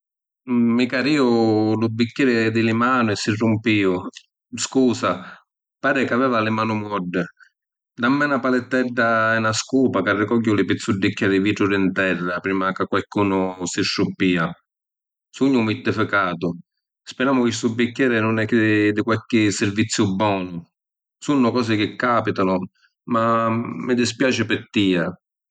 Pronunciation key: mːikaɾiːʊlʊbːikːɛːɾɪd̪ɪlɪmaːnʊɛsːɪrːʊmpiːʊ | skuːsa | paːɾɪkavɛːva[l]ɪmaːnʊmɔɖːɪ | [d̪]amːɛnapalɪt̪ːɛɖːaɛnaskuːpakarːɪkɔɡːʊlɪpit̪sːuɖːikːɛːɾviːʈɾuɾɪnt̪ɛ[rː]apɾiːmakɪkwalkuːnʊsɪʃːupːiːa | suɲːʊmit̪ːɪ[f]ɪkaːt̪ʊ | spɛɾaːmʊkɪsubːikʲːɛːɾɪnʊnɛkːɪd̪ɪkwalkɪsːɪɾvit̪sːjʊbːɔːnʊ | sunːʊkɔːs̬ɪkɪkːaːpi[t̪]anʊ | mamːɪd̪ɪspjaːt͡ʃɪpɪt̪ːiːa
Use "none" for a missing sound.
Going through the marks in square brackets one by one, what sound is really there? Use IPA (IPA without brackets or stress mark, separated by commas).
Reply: l, d̪, rː, f, t̪